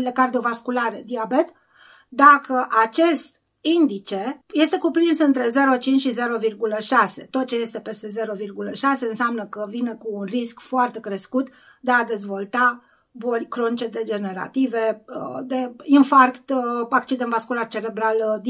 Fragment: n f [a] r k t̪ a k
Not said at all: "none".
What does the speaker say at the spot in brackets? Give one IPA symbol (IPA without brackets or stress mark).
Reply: a